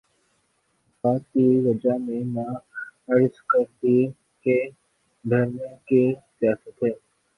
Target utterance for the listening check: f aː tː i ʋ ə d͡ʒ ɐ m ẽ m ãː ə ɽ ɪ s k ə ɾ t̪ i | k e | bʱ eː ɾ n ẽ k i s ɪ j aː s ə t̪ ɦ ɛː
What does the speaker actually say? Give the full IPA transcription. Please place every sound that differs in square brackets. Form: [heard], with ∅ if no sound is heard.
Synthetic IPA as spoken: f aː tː i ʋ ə d͡ʒ [a] m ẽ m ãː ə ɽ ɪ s k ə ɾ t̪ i | k e | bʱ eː ɾ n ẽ k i s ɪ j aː s ə t̪ ɦ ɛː